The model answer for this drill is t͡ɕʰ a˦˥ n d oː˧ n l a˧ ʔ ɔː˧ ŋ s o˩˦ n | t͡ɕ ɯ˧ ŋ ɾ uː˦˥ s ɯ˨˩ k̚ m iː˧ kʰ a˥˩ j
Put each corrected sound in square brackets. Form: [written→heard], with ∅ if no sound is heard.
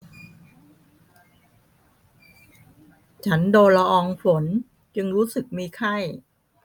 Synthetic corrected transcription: t͡ɕʰ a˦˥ n d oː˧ n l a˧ ʔ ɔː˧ ŋ [s→f] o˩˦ n | t͡ɕ ɯ˧ ŋ ɾ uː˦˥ s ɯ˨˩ k̚ m iː˧ kʰ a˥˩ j